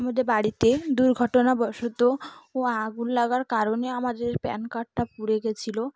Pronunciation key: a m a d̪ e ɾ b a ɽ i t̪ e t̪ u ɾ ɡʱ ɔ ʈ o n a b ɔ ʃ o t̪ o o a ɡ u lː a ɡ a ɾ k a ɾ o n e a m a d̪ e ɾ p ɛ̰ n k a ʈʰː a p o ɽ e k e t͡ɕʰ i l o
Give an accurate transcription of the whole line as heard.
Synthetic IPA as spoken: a m a d̪ e ɾ b a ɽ i t̪ e d̪ u ɾ ɡʱ ɔ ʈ o n a b ɔ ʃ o t̪ o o a ɡ u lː a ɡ a ɾ k a ɾ o n e a m a d̪ e ɾ p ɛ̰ n k a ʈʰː a p u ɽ e ɡ e t͡ɕʰ i l o

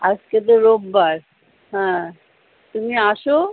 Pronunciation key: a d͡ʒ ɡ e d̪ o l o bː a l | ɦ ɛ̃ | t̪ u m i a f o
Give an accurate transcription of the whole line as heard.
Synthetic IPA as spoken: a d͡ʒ k e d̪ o ɾ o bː a ɾ | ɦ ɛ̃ | t̪ u m i a ʃ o

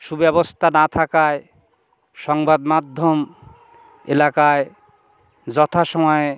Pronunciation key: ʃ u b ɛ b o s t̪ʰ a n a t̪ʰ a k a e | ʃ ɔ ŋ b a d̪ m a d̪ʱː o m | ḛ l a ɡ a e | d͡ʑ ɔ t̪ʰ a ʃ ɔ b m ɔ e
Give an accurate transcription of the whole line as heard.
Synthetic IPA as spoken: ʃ u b ɛ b o s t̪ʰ a n a t̪ʰ a k a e | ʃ ɔ ŋ b a d̪ m a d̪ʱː o m | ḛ l a k a e | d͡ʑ ɔ t̪ʰ a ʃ ɔ m ɔ e

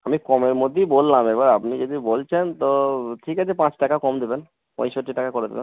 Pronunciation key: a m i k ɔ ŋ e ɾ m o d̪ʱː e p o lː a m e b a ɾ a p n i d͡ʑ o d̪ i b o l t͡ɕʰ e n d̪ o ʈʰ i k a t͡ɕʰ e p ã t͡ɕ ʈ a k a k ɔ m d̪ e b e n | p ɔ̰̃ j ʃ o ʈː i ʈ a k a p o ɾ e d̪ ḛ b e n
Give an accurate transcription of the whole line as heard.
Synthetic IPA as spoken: a m i k ɔ m e ɾ m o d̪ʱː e b o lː a m e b a ɾ a p n i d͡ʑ o d̪ i b o l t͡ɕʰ e n t̪ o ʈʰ i k a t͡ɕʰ e p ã t͡ɕ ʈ a k a k ɔ m d̪ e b e n | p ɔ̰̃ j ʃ o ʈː i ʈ a k a k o ɾ e d̪ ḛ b e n

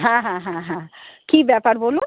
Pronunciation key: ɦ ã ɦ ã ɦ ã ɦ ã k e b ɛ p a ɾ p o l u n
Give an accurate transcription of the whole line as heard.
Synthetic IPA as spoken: ɦ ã ɦ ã ɦ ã ɦ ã k i b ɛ p a ɾ b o l u n

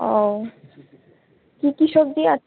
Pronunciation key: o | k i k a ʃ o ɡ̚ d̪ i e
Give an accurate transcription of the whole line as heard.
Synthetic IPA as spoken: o | k i k i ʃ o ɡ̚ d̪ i a

